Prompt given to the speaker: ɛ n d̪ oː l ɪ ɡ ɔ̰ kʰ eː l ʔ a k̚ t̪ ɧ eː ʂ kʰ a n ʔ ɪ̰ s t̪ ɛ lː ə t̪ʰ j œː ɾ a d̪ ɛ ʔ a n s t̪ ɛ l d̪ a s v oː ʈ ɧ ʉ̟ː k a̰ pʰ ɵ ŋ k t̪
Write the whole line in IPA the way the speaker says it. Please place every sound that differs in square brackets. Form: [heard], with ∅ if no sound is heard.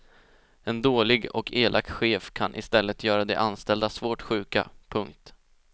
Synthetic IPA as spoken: ɛ n d̪ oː l ɪ ɡ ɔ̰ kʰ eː l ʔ a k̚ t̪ ɧ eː [f] kʰ a n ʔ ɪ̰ s t̪ ɛ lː ə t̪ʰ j œː ɾ a d̪ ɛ ʔ a n s t̪ ɛ l d̪ a s v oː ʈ ɧ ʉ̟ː k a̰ pʰ ɵ ŋ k t̪